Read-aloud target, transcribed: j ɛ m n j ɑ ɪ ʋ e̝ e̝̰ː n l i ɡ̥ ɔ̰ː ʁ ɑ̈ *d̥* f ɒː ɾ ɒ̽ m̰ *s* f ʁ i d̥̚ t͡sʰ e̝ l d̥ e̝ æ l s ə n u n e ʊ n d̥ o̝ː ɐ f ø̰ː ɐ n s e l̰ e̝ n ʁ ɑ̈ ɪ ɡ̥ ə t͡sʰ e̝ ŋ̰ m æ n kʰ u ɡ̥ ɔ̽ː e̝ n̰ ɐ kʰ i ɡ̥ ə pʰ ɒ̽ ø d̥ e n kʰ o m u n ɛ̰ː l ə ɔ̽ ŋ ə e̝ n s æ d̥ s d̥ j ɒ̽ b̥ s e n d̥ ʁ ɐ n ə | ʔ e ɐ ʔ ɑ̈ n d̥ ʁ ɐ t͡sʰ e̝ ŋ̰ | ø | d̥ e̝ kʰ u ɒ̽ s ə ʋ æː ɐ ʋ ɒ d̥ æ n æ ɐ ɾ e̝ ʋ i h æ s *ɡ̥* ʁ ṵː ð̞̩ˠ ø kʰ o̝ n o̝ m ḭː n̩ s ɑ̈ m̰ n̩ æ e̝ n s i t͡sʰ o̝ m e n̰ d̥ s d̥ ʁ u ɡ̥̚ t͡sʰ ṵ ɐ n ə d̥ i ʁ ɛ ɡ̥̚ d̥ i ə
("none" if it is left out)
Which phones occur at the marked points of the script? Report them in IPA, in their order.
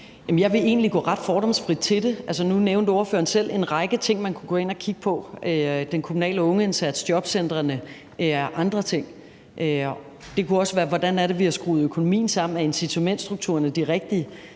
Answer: d̥, s, ɡ̥

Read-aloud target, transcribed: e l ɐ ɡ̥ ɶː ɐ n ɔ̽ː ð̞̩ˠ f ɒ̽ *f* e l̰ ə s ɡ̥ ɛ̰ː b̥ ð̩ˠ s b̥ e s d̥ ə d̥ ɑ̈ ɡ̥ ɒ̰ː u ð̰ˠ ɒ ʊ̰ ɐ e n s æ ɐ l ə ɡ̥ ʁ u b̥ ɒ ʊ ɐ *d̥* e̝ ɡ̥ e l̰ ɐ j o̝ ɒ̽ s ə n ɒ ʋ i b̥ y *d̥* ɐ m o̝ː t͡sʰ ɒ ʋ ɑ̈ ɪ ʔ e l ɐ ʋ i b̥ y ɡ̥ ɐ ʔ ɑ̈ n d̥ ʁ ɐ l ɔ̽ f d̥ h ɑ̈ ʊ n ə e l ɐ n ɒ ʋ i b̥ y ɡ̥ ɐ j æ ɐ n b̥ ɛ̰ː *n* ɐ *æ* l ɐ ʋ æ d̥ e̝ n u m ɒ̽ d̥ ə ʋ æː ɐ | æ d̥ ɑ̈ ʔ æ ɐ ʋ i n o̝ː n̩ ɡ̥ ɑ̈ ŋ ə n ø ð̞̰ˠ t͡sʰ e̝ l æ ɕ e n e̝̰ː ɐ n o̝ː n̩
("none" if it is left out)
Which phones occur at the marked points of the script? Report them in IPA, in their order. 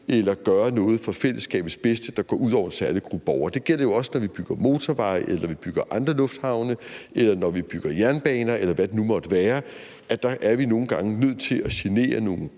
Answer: f, d̥, ɡ̥, n, e

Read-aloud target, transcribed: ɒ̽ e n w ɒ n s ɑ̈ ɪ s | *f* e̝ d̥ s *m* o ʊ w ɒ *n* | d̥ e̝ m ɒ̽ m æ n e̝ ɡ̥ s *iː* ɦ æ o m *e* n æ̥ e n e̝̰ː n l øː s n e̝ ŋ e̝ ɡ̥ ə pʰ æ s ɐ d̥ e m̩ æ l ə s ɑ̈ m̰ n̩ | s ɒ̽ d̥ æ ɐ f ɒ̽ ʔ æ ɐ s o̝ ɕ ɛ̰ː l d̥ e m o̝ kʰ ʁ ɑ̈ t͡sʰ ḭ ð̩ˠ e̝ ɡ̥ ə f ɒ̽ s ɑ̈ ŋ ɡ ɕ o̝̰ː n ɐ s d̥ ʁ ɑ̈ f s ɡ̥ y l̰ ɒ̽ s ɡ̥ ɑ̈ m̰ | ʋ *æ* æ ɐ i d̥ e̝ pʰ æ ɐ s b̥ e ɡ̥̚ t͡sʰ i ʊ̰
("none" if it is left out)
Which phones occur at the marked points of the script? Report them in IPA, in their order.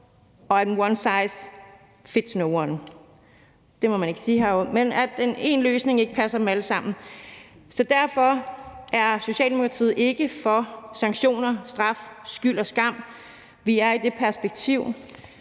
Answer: f, n, n, iː, e, i

